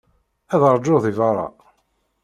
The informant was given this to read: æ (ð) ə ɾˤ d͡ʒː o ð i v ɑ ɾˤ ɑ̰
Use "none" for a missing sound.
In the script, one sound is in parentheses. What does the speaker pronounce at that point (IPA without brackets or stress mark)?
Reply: ð